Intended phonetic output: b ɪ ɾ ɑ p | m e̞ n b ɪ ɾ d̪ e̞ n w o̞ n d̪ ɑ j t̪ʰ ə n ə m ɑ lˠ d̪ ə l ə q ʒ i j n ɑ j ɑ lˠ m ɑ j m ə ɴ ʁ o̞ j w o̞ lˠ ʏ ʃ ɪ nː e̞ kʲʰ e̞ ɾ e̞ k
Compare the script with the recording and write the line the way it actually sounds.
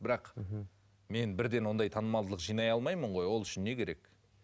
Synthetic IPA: b ɪ ɾ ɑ q | m e̞ n b ɪ ɾ d̪ e̞ n w o̞ n d̪ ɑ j t̪ʰ ɑ n ə m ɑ lˠ d̪ ə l ə q ʒ i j n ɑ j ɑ lˠ m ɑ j m ə ɴ ʁ o̞ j w o̞ lˠ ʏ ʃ ɪ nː e̞ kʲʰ e̞ ɾ e̞ k